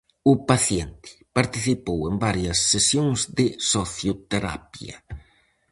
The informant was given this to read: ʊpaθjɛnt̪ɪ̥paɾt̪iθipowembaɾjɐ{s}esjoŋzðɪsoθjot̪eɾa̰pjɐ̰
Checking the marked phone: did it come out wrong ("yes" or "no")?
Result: yes